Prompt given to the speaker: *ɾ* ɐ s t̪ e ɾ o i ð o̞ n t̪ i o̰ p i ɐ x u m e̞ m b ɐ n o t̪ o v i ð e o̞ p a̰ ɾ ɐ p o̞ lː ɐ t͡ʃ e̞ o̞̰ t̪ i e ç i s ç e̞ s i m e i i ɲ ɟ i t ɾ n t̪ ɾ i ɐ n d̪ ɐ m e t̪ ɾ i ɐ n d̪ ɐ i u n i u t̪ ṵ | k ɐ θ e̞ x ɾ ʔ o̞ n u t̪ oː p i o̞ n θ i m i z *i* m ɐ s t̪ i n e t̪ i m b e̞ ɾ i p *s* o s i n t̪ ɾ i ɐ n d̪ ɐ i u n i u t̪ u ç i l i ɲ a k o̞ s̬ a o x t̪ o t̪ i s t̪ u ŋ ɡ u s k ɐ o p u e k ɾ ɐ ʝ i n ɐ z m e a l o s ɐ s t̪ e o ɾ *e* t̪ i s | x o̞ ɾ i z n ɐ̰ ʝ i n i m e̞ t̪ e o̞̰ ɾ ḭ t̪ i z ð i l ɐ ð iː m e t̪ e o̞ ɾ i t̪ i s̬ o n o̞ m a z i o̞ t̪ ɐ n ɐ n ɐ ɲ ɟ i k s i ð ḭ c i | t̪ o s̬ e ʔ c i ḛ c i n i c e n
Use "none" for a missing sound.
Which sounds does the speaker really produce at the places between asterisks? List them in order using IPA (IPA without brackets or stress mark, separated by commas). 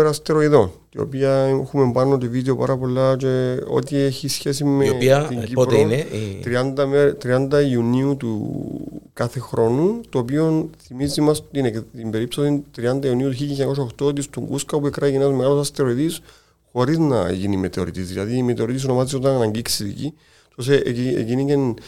ɾ, i, s, i